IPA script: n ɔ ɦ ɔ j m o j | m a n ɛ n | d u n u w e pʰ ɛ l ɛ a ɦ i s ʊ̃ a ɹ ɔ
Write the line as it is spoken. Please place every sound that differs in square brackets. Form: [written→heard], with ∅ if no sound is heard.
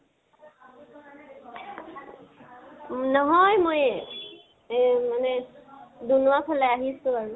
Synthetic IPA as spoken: n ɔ ɦ ɔ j m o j | m a n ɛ [n→∅] | d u n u w [e→a] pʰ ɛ l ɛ a ɦ i s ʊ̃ a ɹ [ɔ→u]